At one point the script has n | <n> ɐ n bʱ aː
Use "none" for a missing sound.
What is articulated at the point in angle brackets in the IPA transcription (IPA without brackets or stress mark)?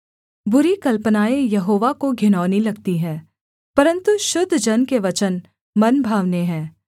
m